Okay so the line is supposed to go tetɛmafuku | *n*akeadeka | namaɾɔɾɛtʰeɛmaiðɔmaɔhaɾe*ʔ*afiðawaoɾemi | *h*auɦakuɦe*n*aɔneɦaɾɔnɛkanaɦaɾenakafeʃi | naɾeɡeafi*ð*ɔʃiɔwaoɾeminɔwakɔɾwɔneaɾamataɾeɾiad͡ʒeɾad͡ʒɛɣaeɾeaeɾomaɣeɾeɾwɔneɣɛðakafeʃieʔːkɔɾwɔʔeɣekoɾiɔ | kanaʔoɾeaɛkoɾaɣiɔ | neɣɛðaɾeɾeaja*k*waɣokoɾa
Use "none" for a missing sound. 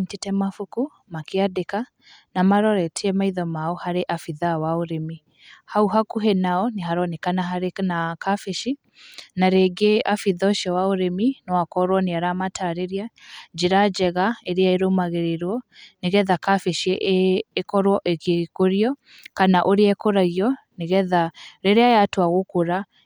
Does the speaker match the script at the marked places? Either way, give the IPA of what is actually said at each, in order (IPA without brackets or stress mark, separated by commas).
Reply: m, ʔ, h, n, ð, t